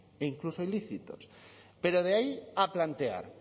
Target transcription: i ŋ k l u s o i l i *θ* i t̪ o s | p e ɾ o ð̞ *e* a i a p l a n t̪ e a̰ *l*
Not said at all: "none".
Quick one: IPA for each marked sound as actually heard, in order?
θ, e, ɾ

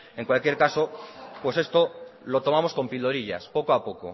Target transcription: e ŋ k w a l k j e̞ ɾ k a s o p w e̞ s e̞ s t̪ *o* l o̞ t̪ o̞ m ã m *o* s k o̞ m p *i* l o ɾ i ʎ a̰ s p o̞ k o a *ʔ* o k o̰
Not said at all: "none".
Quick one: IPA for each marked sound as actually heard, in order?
o, o, i, p

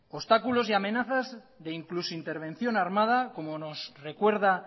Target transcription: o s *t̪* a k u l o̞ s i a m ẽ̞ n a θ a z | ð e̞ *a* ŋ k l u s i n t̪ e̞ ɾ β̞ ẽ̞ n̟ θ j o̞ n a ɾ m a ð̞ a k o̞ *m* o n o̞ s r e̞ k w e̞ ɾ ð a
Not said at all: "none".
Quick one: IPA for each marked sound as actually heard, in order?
t̪, i, m

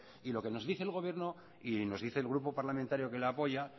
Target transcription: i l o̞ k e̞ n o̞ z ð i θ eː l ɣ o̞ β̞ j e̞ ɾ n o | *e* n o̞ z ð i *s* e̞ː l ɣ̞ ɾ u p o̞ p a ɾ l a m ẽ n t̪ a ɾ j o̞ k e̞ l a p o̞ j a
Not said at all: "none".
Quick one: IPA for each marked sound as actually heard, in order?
i, θ

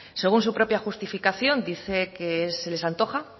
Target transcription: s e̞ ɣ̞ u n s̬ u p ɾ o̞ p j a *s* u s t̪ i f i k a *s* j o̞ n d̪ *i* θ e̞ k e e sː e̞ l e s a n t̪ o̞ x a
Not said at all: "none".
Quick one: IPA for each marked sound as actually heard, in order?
x, θ, i

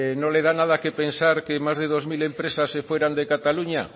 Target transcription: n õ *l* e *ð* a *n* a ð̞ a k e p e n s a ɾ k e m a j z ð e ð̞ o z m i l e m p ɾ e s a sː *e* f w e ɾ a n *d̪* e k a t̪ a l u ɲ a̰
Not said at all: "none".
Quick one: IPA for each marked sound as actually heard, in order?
l, ð, n, e, d̪

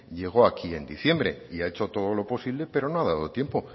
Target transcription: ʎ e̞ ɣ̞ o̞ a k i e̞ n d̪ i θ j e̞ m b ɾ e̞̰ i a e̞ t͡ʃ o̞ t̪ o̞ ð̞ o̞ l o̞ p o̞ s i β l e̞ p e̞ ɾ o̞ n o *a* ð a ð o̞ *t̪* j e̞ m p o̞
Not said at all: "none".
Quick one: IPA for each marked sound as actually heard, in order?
a, t̪

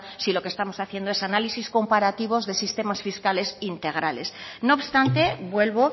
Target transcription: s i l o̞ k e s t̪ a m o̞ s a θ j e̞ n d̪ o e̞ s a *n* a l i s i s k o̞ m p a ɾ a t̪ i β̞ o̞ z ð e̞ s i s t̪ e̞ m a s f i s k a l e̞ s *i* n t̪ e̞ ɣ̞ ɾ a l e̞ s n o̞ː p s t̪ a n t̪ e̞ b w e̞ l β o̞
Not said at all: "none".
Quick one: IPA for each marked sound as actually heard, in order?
n, i

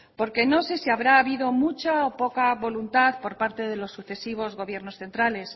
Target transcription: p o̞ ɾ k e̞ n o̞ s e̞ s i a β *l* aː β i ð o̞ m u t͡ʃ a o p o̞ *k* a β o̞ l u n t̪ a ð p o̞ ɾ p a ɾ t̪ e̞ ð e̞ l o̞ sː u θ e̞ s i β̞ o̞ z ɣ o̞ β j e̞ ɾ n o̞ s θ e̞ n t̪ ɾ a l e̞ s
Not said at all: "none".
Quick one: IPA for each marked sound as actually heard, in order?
ɾ, k

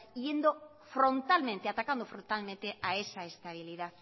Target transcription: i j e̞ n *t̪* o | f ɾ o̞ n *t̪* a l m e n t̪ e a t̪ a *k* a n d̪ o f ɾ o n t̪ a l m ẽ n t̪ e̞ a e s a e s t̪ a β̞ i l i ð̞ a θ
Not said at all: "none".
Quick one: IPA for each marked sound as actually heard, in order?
d̪, t̪, k

